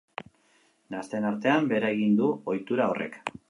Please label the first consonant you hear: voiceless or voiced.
voiced